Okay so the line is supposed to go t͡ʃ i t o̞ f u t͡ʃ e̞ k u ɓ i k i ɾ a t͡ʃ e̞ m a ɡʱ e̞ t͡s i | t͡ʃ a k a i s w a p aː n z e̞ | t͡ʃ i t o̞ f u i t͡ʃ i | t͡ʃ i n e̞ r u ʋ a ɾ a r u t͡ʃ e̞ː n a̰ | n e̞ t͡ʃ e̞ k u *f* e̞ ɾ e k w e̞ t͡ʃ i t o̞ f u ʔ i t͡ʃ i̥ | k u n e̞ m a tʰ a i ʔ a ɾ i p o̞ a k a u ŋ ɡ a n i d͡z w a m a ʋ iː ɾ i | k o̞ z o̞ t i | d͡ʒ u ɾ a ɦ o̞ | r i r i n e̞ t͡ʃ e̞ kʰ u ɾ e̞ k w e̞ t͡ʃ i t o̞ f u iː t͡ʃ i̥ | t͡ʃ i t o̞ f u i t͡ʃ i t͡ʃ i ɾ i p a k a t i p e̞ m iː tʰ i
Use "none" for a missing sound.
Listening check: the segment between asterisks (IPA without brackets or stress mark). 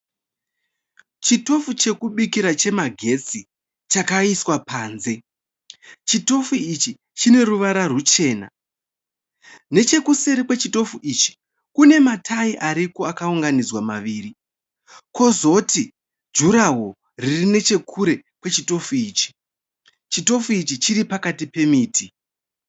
s